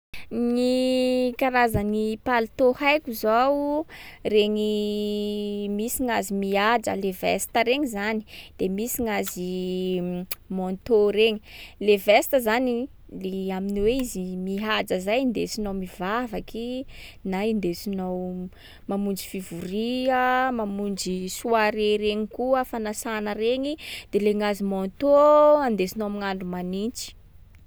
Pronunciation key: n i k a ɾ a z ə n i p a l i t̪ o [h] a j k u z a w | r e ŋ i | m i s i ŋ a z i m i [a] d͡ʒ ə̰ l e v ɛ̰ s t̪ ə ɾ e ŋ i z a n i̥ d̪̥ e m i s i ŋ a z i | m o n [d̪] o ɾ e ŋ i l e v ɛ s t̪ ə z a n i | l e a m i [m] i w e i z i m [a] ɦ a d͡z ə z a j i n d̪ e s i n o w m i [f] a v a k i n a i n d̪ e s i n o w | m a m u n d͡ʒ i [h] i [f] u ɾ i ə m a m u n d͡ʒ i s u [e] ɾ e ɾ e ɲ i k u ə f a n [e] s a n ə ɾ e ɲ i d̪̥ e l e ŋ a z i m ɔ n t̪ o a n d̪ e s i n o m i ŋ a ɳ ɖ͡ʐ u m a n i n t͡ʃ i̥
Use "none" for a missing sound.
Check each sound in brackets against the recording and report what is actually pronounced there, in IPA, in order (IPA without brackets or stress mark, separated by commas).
h, a, t̪, n, i, v, f, v, a, a